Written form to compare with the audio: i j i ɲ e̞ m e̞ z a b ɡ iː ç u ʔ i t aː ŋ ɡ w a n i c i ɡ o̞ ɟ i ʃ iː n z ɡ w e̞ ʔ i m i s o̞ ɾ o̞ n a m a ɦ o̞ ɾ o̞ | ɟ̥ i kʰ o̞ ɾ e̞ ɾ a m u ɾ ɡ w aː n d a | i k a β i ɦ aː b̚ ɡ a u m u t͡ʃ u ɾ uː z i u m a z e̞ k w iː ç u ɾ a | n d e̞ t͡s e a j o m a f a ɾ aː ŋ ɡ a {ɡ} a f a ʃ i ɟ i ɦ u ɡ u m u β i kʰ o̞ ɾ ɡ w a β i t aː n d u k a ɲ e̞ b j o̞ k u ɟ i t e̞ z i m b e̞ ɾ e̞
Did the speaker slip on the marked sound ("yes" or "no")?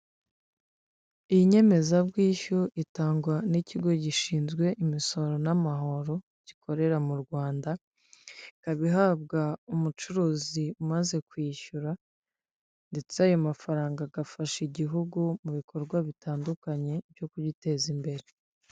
no